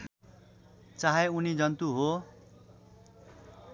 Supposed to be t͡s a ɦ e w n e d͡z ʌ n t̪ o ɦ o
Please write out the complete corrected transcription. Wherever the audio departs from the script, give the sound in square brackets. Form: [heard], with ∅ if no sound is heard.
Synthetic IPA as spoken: t͡s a ɦ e [u] n [i] d͡z ʌ n t̪ [u] ɦ o